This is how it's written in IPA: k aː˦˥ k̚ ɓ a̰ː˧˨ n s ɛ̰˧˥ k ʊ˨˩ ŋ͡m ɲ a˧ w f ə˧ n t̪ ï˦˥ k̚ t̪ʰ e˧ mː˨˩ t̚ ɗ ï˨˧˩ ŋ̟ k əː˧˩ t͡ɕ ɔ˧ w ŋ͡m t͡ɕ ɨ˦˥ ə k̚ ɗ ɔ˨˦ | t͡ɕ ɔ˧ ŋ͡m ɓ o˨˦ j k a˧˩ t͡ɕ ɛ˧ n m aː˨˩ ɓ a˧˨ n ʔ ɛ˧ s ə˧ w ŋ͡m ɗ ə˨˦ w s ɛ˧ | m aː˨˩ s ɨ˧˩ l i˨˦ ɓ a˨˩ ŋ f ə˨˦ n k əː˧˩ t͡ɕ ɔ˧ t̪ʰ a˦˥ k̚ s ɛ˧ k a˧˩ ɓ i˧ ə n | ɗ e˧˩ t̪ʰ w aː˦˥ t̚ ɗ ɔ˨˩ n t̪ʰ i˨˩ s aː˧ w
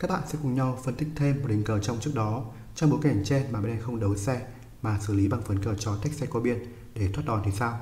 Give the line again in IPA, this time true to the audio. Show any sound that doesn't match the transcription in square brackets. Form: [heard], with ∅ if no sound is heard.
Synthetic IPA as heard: k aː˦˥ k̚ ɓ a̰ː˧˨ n s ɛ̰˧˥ k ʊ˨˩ ŋ͡m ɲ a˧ w f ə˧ n t̪ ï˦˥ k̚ t̪ʰ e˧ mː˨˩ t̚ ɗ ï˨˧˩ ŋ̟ k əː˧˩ t͡ɕ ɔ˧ w ŋ͡m t͡ɕ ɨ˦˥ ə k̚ ɗ ɔ˨˦ | t͡ɕ ɔ˧ ŋ͡m ɓ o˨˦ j k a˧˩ t͡ɕ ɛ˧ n m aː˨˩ ɓ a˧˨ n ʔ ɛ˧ [x] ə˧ w ŋ͡m ɗ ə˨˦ w s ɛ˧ | m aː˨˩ s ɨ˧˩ l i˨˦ ɓ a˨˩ ŋ f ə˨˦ n k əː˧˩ t͡ɕ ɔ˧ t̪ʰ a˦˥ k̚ s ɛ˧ k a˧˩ ɓ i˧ ə n | ɗ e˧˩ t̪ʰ w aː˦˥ t̚ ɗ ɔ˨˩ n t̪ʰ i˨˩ s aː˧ w